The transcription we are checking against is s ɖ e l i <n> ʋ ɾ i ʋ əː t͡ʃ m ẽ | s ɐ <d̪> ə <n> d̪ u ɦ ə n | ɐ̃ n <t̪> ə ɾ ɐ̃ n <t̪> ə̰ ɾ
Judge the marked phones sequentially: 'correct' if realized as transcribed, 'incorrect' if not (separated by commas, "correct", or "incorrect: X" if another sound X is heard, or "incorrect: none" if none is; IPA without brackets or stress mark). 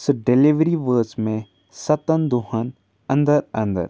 incorrect: none, incorrect: t̪, correct, incorrect: d̪, incorrect: d̪